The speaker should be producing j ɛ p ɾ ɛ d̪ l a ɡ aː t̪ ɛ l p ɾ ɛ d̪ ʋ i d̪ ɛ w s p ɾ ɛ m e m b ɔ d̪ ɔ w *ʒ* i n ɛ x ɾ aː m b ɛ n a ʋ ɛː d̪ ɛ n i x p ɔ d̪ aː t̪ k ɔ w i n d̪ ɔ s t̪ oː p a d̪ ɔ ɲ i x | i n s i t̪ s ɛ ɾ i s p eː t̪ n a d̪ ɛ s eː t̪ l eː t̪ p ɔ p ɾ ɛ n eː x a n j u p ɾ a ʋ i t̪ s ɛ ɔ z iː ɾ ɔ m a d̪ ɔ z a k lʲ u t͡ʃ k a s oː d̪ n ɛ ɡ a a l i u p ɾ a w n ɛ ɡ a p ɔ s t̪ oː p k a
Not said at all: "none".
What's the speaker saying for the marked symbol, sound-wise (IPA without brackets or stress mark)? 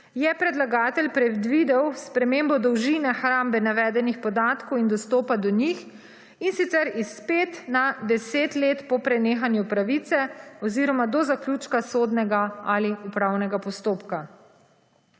ʒ